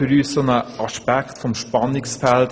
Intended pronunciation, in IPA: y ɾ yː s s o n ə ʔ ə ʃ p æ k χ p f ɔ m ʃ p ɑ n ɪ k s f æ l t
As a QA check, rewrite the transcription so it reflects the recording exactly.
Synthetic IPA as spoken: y ɾ yː s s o n ə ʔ ɑ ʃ p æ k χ t f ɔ m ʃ p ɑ n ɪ k s f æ l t

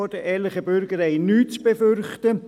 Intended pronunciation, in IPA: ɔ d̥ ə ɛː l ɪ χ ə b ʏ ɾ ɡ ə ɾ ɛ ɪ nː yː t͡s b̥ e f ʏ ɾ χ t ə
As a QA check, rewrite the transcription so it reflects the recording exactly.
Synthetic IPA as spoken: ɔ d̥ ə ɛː l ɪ χ ə b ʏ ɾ ɡ ə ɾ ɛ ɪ n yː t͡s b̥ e f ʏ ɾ χ t ə

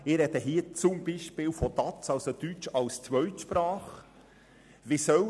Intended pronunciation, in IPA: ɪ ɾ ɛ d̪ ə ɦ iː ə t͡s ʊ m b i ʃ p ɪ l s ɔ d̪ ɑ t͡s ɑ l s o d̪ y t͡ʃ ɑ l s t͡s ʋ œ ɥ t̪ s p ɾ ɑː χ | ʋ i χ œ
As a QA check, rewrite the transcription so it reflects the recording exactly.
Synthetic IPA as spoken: ɪ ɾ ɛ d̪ ə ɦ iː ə t͡s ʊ m b i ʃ p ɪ l f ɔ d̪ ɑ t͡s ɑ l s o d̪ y t͡ʃ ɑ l s t͡s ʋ œ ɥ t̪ ʃ p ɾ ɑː χ | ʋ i s œ

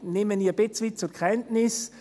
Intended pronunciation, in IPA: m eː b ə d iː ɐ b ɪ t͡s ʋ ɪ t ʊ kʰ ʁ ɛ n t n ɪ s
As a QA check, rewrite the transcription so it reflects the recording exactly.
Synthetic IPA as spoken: n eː m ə n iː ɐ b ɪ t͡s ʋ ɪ t͡s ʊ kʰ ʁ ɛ n t n ɪ s

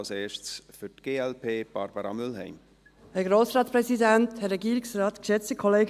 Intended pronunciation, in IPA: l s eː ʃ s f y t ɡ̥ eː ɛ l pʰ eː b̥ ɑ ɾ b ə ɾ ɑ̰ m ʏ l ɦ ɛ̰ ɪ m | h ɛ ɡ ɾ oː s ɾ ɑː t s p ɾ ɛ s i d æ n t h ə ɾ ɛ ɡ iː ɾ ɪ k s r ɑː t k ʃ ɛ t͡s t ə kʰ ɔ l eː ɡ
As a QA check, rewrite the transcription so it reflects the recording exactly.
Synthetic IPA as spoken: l s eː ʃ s f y t ɡ̥ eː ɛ l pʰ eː b̥ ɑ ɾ b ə ɾ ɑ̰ m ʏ l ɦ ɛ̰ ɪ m | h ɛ ɡ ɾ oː s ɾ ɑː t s p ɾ ɛ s i d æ n t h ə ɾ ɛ ɡ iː ɾ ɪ k s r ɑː t k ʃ ɛ t͡s t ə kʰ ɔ l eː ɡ

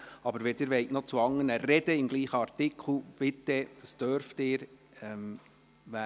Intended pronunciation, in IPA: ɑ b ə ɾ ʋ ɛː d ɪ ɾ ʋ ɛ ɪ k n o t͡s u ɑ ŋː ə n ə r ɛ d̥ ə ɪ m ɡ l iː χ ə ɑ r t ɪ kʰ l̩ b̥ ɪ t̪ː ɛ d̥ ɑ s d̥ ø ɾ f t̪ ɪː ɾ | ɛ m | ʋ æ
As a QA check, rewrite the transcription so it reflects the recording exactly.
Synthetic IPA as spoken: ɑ b ə ɾ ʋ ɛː d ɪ ɾ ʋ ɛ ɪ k n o t͡s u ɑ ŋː ə n ə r ɛ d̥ ə ɪ m ɡ l iː χ ə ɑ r t ɪ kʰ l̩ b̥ ɪ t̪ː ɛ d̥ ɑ s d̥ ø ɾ f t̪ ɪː ɾ | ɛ m | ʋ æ

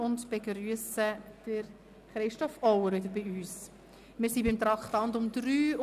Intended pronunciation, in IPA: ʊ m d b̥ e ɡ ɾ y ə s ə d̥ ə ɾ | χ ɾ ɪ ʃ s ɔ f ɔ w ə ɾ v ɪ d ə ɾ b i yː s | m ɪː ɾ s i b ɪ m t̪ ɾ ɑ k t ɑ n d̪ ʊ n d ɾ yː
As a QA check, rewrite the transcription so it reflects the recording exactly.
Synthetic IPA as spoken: ʊ n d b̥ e ɡ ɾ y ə s ə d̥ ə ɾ | χ ɾ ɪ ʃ t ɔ f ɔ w ə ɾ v ɪ d ə ɾ b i yː s | m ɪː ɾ s i b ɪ m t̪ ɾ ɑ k t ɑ n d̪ ʊ m d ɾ yː

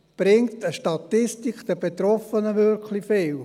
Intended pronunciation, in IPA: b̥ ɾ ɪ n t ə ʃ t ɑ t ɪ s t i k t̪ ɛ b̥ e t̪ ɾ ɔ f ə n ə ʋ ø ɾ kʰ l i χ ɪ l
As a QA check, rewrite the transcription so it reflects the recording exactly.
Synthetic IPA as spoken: b̥ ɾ ɪ ŋ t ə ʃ t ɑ t ɪ s t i k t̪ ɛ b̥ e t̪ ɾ ɔ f ə n ə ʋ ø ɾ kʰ l i f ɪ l

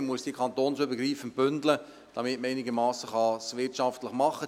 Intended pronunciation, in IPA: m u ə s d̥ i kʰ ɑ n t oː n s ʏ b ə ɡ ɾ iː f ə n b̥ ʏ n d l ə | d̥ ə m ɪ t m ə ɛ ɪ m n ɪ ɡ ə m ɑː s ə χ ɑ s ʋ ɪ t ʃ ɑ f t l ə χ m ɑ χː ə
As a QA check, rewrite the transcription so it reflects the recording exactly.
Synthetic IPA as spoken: m u ə s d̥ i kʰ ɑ n t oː n s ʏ b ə ɡ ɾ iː f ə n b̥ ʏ n d l ə | d̥ ɑ m ɪ t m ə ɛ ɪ n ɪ ɡ ə m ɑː s ə χ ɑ s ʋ ɪ t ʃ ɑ f t l ə χ m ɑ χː ə

